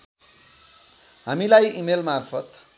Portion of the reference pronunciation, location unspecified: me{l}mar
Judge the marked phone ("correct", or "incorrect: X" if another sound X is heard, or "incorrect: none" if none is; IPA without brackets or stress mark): correct